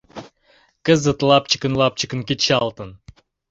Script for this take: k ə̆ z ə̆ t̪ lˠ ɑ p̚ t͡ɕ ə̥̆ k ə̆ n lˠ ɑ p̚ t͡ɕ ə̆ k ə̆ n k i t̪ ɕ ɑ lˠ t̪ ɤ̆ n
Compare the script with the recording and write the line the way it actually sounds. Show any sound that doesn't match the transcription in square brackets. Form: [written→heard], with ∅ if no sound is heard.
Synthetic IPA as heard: k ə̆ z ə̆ t̪ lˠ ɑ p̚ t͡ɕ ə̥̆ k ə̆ n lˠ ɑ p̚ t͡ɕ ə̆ k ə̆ n k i t̪ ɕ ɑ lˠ t̪ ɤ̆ n